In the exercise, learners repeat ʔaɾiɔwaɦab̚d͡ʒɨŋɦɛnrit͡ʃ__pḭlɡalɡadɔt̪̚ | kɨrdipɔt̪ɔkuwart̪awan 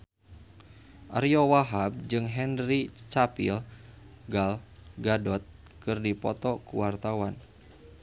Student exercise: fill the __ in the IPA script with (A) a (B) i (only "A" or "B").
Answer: A